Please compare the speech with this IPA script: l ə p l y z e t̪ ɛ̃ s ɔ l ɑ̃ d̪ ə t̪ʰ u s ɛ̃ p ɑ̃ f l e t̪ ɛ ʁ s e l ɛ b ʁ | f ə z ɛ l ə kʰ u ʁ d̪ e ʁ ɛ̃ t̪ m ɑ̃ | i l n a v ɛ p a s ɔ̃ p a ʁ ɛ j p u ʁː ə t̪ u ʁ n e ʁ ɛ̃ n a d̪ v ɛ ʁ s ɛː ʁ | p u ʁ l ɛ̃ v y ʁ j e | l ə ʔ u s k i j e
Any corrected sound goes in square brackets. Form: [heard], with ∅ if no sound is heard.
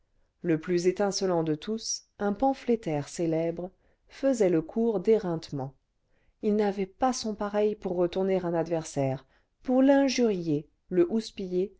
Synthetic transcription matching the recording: l ə p l y z e t̪ ɛ̃ s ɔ l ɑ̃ d̪ ə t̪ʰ u s ɛ̃ p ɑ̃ f l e t̪ ɛ ʁ s e l ɛ b ʁ | f ə z ɛ l ə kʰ u ʁ d̪ e ʁ ɛ̃ t̪ m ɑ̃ | i l n a v ɛ p a s ɔ̃ p a ʁ ɛ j p u ʁː ə t̪ u ʁ n e ʁ ɛ̃ n a d̪ v ɛ ʁ s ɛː ʁ | p u ʁ l ɛ̃ [ʒ] y ʁ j e | l ə ʔ u s [p] i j e

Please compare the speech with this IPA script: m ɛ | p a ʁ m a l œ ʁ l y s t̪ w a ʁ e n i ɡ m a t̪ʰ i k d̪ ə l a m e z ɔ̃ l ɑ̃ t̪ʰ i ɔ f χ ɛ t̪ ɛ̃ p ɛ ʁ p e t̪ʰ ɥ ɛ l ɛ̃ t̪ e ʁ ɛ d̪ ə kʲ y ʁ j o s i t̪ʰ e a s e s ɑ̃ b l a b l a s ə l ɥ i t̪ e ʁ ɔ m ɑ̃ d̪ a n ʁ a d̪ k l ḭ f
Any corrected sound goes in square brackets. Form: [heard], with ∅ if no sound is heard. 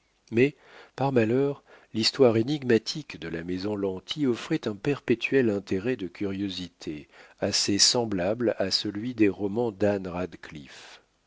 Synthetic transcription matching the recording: m ɛ | p a ʁ m a l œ ʁ l [i] s t̪ w a ʁ e n i ɡ m a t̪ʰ i k d̪ ə l a m e z ɔ̃ l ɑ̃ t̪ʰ i ɔ f χ ɛ t̪ ɛ̃ p ɛ ʁ p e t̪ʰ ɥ ɛ l ɛ̃ t̪ e ʁ ɛ d̪ ə kʲ y ʁ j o [z] i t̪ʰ e a s e s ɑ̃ b l a b l a s ə l ɥ i [d̪] e ʁ ɔ m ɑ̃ d̪ a n ʁ a d̪ k l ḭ f

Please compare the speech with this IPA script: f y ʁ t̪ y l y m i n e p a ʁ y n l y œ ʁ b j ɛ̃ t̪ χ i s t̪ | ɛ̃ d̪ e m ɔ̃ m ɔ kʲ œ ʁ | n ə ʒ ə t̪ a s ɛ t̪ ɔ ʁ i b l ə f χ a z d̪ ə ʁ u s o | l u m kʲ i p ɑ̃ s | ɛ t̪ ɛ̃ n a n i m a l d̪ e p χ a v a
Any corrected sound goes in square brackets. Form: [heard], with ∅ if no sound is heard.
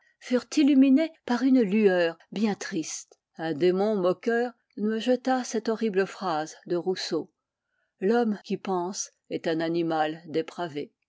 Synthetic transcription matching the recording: f y ʁ t̪ [i] l y m i n e p a ʁ y n l y œ ʁ b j ɛ̃ t̪ χ i s t̪ | ɛ̃ d̪ e m ɔ̃ m ɔ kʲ œ ʁ | n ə ʒ ə t̪ a s ɛ t̪ ɔ ʁ i b l ə f χ a z d̪ ə ʁ u s o | l [ɔ] m kʲ i p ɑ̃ s | ɛ t̪ ɛ̃ n a n i m a l d̪ e p χ a v [e]

